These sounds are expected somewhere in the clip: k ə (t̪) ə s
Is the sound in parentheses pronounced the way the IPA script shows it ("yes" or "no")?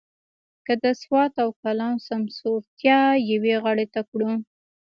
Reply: no